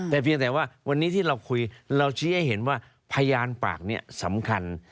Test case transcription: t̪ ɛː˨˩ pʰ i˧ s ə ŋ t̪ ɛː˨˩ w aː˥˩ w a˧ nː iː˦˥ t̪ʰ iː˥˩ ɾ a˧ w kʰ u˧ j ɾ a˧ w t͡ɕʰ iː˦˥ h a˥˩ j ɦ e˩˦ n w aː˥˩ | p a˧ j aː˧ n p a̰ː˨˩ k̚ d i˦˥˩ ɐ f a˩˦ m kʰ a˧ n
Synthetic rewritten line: t̪ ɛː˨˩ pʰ i˧ ə ŋ t̪ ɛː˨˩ w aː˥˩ w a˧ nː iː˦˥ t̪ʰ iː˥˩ ɾ a˧ w kʰ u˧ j ɾ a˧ w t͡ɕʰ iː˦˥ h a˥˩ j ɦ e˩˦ n w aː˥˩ | pʰ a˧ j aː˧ n p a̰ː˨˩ k̚ n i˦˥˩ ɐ s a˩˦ m kʰ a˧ n